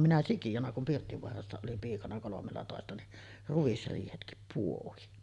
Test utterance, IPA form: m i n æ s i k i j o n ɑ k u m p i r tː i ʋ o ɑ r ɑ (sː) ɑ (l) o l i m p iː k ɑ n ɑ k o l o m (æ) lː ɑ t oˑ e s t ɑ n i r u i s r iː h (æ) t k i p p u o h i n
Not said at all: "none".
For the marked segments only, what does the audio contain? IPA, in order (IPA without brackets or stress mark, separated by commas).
sː, none, e, e